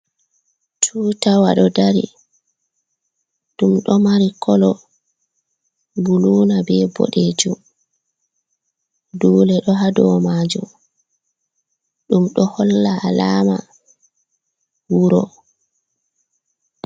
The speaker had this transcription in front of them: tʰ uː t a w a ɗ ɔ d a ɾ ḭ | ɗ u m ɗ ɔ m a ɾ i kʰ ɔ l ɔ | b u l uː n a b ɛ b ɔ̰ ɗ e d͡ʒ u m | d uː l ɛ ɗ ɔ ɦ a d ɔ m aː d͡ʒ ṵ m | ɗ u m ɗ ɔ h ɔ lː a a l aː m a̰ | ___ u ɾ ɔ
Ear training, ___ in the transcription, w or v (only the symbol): w